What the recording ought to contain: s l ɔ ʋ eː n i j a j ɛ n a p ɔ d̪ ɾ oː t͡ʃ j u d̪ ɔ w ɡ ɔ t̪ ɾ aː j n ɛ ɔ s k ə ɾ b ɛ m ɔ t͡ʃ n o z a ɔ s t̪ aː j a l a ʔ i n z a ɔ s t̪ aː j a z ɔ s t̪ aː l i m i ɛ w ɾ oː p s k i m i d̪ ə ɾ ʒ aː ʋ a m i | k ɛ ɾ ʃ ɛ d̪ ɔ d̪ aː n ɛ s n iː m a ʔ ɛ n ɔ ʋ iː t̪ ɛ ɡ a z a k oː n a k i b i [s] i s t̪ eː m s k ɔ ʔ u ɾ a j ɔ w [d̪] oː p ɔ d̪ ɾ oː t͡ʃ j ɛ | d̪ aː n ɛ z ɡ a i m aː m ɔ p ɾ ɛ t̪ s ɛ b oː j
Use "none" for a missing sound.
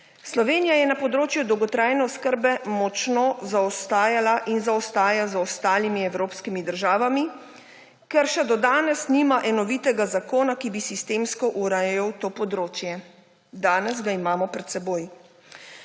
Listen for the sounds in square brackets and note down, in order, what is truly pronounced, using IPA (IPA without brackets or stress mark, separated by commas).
s, t̪